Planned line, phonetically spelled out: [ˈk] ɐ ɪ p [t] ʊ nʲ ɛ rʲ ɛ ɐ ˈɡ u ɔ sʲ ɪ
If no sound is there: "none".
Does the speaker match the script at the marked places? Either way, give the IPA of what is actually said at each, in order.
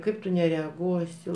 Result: k, t

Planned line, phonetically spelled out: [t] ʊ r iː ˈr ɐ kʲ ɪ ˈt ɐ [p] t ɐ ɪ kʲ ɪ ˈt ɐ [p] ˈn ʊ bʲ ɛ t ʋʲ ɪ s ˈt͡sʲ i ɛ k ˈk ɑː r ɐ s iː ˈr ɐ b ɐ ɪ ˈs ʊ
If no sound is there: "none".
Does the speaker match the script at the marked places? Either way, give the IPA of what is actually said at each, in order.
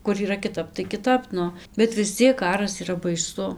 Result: k, p, p

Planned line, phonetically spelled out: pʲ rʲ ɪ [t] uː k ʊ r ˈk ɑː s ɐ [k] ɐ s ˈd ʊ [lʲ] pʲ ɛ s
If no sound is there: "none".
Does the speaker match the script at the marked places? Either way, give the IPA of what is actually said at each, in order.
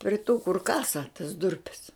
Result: t, t, rʲ

